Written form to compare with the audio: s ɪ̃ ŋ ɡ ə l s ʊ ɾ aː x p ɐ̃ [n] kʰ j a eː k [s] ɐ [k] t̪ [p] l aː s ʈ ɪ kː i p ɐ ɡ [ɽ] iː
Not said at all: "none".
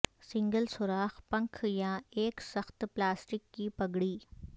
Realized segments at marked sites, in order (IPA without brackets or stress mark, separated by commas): ŋ, s, x, p, ɽ